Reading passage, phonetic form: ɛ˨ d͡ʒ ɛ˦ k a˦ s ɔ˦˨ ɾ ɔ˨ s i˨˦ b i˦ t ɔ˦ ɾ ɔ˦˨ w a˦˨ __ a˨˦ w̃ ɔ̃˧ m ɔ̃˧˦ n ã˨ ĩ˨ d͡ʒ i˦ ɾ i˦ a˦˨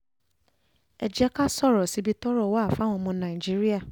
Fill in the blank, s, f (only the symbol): f